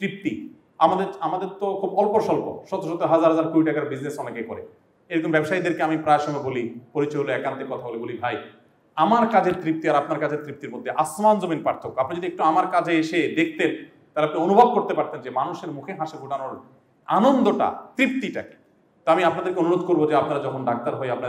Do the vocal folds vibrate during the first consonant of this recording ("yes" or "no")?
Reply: no